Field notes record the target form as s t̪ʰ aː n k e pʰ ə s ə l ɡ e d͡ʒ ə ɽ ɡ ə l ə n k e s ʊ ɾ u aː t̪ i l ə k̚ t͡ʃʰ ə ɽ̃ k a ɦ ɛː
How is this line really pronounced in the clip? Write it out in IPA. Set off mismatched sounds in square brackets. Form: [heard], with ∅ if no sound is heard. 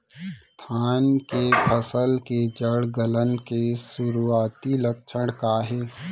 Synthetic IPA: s t̪ʰ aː n k e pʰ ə s ə l [k] e d͡ʒ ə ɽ ɡ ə l ə n k e s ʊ ɾ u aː t̪ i l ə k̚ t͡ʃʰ ə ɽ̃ k a ɦ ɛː